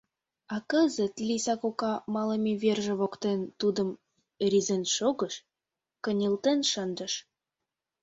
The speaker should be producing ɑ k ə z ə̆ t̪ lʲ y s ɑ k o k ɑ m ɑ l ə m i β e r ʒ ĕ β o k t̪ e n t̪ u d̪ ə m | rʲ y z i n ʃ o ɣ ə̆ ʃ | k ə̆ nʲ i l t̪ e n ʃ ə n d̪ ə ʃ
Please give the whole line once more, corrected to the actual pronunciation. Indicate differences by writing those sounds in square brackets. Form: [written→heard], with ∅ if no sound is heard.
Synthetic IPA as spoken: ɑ k ə z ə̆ t̪ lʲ [y→i] s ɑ k o k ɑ m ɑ l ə m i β e r ʒ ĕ β o k t̪ e n t̪ u d̪ ə m | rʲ [y→i] z [i→e] n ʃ o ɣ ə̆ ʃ | k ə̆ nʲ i l t̪ e n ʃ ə n d̪ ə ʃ